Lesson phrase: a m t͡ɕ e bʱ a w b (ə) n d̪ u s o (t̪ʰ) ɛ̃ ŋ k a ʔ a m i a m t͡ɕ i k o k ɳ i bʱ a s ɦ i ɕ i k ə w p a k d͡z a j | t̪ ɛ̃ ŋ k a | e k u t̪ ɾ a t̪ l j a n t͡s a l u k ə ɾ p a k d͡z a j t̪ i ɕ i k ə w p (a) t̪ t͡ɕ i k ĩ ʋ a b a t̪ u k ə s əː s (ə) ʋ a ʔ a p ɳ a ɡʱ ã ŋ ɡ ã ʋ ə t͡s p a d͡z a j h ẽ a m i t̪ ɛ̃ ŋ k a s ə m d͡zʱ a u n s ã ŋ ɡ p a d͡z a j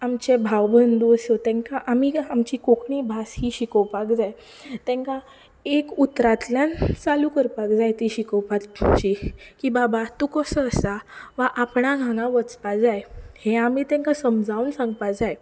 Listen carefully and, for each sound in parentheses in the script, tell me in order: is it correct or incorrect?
correct, incorrect: t̪, correct, incorrect: a

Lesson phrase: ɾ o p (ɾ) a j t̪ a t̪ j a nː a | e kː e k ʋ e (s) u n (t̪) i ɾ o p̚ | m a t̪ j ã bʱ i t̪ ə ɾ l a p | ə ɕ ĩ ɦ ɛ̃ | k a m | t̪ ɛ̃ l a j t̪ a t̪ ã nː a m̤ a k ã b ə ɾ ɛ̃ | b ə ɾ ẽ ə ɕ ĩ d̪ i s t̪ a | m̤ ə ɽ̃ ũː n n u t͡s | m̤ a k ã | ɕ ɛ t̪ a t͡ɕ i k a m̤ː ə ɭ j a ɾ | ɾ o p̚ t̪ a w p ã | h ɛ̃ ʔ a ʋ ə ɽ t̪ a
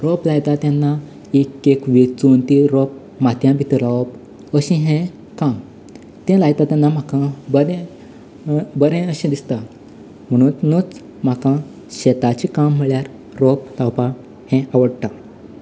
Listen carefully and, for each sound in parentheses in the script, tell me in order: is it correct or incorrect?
incorrect: l, incorrect: t͡s, correct

